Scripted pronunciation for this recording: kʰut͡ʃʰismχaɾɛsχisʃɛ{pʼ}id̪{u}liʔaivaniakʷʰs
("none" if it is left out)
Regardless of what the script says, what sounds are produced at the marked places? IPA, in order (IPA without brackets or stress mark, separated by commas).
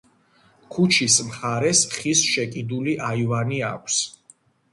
kʼ, u